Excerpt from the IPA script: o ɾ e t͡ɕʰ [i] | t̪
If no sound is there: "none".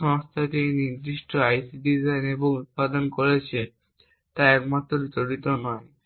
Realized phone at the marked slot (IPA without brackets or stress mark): e